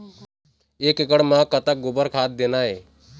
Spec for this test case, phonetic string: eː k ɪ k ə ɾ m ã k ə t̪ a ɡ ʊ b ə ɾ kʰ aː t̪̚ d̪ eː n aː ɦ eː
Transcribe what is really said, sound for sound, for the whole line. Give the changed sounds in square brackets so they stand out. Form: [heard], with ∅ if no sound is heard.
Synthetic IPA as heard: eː k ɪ k ə [ɽ] m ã k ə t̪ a ɡ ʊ b ə ɾ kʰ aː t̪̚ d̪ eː n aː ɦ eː